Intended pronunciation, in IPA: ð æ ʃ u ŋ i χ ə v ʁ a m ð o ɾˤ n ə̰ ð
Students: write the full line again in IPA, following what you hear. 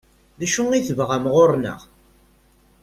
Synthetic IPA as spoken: ð æ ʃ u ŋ i θ ə v ʁ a m ʁ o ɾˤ n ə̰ ʁ